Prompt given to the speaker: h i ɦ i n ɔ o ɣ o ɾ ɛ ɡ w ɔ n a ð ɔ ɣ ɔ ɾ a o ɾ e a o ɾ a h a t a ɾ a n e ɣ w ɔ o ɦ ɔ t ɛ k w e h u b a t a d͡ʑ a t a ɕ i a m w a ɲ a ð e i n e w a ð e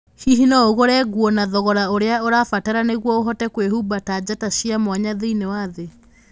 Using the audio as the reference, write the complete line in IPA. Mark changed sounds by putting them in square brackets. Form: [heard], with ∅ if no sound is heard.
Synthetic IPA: h i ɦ i n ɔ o ɣ o ɾ ɛ ɡ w ɔ n a ð ɔ ɣ ɔ ɾ a o ɾ e a o ɾ a [f] a t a ɾ a n e ɣ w ɔ o ɦ ɔ t ɛ k w e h u b a t a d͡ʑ a t a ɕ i a m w a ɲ a ð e i n e w a ð e